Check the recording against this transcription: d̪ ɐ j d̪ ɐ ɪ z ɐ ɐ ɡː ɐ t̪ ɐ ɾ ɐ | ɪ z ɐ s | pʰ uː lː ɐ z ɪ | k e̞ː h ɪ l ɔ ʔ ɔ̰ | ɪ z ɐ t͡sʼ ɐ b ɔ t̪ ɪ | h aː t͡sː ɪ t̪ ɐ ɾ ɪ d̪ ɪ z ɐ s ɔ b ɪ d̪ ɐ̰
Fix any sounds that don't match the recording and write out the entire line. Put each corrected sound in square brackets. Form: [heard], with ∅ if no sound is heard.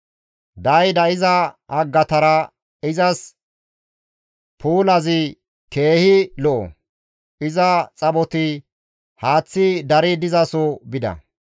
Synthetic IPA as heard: d̪ ɐ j d̪ ɐ ɪ z ɐ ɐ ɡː ɐ t̪ ɐ ɾ ɐ | ɪ z ɐ s | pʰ uː [l] ɐ z ɪ | k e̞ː h ɪ l ɔ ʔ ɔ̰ | ɪ z ɐ t͡sʼ ɐ b ɔ t̪ ɪ | h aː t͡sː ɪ [d̪] ɐ ɾ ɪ d̪ ɪ z ɐ s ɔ b ɪ d̪ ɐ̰